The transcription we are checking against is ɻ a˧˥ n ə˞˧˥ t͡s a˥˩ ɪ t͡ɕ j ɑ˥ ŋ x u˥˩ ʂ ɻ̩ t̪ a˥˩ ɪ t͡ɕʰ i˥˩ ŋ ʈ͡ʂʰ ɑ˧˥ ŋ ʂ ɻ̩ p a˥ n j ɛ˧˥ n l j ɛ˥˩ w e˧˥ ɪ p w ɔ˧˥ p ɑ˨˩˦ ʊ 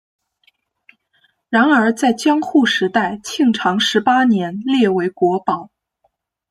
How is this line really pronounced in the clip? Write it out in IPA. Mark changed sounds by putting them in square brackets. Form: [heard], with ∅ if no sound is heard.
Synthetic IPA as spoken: ɻ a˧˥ n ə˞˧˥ t͡s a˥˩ ɪ t͡ɕ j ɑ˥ ŋ x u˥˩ ʂ ɻ̩ t̪ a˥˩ ɪ t͡ɕʰ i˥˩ ŋ ʈ͡ʂʰ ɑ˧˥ ŋ ʂ ɻ̩ p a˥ n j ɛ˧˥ n l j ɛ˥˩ w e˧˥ ɪ [k] w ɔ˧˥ p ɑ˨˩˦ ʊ